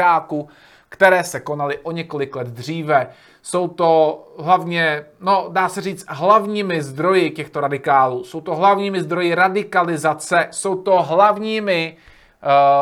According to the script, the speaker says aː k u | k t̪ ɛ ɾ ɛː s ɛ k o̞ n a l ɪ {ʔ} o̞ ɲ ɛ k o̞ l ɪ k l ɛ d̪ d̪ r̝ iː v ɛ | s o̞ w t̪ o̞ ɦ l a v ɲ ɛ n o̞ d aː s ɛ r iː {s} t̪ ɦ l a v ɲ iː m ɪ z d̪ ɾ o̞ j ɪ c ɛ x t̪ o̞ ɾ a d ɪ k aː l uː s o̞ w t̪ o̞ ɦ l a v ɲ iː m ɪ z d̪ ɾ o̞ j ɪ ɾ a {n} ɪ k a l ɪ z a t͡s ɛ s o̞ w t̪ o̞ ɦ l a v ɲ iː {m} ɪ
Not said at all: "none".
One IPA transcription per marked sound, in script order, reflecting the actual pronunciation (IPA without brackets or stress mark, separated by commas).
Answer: ʔ, t͡s, d, m